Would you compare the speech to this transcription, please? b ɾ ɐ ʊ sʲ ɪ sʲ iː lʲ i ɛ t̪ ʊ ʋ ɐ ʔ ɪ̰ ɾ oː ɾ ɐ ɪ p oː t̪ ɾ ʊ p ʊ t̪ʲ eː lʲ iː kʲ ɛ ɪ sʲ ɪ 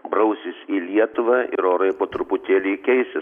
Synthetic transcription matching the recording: b ɾ ɐ ʊ sʲ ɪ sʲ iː lʲ i ɛ t̪ ʊ ʋ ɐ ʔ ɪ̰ ɾ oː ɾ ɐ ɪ p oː t̪ ɾ ʊ p ʊ t̪ʲ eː lʲ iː kʲ ɛ ɪ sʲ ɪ